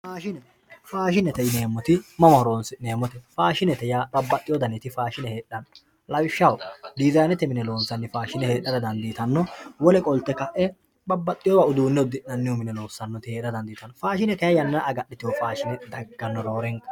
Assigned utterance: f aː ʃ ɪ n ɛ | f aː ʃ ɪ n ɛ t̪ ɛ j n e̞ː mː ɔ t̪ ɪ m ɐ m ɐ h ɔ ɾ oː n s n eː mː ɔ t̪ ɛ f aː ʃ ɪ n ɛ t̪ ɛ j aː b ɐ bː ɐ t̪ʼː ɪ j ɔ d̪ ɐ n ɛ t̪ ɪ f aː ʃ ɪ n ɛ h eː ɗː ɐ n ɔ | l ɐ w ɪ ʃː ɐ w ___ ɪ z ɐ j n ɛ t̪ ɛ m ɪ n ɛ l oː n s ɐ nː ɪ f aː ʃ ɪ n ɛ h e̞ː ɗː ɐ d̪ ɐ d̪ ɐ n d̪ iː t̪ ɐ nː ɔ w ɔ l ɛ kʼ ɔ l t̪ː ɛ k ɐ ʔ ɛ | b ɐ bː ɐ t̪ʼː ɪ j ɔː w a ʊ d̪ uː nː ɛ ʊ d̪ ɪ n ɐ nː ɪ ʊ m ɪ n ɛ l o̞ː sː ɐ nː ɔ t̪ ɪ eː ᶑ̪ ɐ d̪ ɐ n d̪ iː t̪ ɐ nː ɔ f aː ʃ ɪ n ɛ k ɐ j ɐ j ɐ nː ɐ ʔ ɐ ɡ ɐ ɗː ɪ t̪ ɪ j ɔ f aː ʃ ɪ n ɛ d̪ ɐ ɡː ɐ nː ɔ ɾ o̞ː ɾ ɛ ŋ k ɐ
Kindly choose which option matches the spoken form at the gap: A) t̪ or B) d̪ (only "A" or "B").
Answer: B